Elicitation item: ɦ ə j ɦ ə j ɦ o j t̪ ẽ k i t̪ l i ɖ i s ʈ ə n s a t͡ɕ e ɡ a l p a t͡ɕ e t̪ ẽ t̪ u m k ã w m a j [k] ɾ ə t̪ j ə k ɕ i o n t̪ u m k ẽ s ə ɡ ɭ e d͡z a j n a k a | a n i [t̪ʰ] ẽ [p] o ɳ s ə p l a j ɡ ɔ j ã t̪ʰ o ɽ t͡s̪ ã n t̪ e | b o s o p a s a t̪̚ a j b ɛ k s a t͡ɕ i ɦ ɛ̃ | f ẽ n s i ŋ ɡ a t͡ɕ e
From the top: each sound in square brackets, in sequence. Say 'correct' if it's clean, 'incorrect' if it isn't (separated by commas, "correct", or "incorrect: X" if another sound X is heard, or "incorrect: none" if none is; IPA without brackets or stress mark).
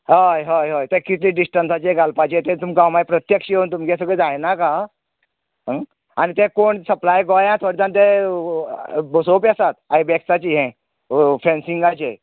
incorrect: p, incorrect: t̪, incorrect: k